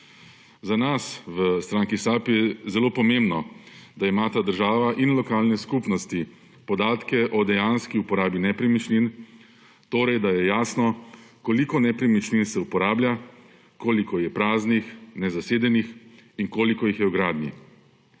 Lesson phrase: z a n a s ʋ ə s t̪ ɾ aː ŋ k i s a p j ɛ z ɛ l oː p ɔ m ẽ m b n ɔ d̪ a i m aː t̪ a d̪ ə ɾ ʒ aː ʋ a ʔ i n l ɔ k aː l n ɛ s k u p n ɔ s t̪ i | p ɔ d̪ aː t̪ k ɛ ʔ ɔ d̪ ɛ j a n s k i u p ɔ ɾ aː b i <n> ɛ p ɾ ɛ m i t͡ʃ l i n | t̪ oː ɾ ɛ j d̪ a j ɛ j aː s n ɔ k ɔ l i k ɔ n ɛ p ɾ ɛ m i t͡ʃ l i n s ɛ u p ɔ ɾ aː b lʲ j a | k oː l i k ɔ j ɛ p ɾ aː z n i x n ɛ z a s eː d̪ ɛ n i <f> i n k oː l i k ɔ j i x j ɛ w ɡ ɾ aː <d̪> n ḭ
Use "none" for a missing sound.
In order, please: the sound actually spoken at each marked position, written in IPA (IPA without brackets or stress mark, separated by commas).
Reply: n, x, d̪